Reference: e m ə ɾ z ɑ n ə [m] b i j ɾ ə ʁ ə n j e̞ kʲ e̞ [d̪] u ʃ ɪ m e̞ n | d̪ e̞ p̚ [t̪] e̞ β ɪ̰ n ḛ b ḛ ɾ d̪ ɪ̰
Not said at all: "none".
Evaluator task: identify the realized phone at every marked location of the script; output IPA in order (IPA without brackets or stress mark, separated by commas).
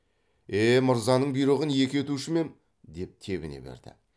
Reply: ɴ, t̪, t̪ʰ